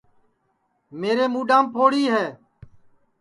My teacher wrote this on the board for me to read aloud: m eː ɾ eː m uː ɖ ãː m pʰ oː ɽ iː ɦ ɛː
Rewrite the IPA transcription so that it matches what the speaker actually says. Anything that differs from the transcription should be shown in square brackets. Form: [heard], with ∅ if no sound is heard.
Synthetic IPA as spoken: m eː ɾ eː m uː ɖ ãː m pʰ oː ɽ iː ɦ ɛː